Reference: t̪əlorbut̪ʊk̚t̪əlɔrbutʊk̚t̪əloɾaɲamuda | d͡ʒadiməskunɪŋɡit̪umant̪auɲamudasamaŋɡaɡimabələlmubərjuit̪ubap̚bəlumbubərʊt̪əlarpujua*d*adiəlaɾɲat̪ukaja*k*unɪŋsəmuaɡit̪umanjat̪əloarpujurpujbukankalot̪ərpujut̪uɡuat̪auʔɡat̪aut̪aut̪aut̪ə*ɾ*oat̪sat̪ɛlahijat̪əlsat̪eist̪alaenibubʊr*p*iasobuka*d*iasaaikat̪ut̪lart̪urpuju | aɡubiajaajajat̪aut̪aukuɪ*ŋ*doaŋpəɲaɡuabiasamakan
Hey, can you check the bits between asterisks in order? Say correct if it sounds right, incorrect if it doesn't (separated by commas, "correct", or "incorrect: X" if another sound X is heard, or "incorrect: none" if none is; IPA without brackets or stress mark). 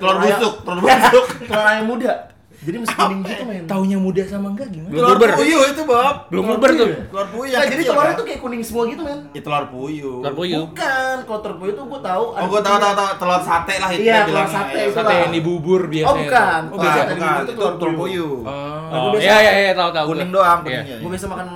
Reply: incorrect: d͡ʒ, correct, incorrect: l, incorrect: b, incorrect: n, correct